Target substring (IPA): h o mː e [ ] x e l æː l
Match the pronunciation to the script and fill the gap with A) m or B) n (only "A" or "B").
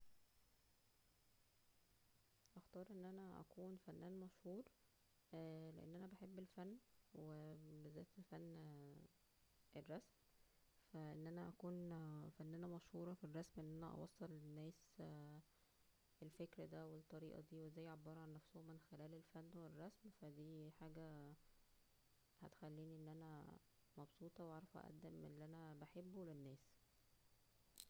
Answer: B